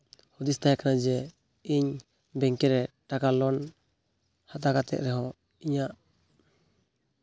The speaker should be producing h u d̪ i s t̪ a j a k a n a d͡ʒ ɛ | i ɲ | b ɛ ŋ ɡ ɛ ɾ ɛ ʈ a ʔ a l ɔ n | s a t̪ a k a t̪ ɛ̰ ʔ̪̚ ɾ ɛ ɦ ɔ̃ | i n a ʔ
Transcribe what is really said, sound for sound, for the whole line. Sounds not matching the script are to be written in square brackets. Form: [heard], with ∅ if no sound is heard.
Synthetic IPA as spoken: h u d̪ i s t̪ a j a k a n a d͡ʒ ɛ | i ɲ | b ɛ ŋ [k] ɛ ɾ ɛ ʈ a [k] a l ɔ n | [h] a t̪ a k a t̪ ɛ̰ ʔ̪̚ ɾ ɛ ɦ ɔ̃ | i [ɲ] a ʔ